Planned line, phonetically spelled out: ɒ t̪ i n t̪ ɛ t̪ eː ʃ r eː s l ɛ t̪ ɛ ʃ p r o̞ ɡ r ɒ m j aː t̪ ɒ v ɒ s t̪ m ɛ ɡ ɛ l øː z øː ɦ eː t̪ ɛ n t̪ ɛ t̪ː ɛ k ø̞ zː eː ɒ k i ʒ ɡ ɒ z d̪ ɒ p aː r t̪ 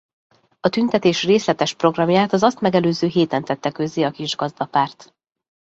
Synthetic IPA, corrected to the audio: ɒ t̪ y n t̪ ɛ t̪ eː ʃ r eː s l ɛ t̪ ɛ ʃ p r o̞ ɡ r ɒ m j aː t̪ ɒ z ɒ s t̪ m ɛ ɡ ɛ l øː z øː ɦ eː t̪ ɛ n t̪ ɛ t̪ː ɛ k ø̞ zː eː ɒ k i ʒ ɡ ɒ z d̪ ɒ p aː r t̪